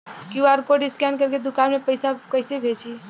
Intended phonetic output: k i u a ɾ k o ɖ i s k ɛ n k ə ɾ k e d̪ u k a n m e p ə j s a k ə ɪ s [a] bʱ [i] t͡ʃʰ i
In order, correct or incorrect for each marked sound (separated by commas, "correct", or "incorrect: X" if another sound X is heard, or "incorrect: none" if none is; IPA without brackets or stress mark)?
incorrect: e, incorrect: e